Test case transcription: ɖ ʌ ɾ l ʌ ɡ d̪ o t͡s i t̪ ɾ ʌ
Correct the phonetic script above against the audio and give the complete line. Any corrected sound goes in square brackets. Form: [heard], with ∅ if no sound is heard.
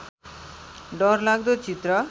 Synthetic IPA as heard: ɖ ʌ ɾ l [a] ɡ d̪ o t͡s i t̪ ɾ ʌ